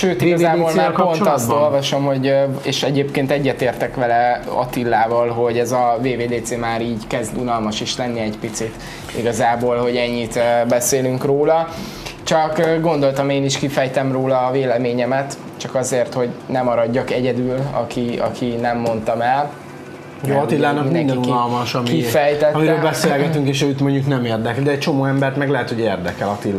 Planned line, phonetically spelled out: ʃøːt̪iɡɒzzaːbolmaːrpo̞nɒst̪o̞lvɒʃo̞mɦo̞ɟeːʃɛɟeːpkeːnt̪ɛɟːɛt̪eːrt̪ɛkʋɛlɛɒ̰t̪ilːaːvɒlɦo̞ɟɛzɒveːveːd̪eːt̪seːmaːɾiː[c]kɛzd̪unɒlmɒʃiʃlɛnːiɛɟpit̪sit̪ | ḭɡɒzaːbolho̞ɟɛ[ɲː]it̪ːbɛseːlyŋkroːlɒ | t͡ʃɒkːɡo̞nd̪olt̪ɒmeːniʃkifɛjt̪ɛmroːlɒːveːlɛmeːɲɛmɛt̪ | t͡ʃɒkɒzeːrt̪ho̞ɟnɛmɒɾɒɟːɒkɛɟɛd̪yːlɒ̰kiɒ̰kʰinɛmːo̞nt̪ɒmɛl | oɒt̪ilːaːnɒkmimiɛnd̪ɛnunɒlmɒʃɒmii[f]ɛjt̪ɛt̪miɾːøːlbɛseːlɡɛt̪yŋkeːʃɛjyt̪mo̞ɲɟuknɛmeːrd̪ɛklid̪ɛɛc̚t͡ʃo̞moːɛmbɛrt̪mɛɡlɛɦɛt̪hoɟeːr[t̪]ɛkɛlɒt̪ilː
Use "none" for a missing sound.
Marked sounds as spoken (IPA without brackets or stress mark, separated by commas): ɟ, ɲː, f, d̪